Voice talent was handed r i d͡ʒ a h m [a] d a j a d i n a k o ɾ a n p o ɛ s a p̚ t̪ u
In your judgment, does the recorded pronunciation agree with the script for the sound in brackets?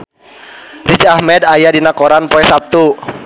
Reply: no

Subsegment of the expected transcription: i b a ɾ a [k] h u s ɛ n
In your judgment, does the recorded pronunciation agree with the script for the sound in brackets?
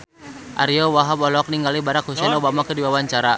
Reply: yes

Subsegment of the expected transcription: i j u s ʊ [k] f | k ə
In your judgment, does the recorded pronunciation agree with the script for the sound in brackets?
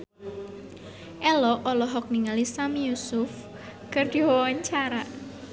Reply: no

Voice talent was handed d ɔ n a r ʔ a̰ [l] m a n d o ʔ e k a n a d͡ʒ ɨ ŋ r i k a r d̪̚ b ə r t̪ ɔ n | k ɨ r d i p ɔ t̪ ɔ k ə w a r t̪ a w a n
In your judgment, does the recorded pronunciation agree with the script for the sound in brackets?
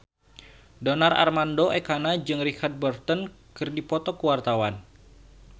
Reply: no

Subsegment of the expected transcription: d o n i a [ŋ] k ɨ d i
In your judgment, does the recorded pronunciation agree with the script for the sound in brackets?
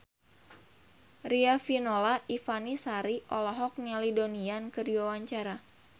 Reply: no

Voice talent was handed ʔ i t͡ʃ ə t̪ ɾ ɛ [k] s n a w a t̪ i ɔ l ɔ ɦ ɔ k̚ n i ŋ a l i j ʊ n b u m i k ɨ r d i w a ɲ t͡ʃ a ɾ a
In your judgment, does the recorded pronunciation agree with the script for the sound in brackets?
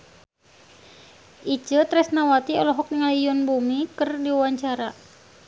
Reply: no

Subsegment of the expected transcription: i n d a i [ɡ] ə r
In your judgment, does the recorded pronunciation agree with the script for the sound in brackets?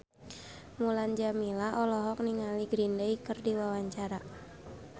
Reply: no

